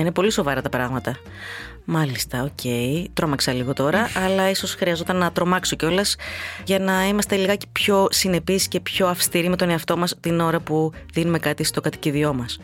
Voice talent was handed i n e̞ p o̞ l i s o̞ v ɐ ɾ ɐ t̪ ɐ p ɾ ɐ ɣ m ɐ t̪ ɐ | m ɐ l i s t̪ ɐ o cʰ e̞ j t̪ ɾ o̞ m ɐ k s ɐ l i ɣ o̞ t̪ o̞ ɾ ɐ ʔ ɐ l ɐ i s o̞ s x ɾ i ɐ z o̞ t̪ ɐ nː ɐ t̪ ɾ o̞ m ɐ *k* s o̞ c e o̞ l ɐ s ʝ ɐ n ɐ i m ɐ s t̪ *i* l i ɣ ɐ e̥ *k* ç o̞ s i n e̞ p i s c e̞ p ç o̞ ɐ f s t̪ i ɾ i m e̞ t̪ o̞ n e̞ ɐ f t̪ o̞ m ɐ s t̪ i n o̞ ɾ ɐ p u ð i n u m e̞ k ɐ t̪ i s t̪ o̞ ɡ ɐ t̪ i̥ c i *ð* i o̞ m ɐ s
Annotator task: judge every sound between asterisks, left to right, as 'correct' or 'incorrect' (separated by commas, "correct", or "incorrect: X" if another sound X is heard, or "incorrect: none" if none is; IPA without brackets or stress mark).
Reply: correct, incorrect: e, incorrect: p, correct